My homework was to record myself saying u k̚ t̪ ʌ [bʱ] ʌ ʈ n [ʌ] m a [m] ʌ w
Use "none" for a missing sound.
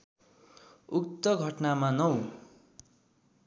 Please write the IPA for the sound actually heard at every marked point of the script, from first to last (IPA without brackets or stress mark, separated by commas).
ɡʱ, a, n